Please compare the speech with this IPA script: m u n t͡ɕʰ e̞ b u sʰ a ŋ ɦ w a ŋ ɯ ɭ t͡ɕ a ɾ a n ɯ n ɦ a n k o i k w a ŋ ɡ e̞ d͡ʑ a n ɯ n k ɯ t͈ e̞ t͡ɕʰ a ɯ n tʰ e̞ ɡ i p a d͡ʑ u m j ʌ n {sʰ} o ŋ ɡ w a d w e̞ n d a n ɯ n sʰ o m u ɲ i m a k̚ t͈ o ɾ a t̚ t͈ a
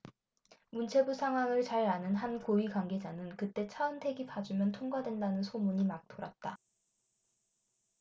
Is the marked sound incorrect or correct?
incorrect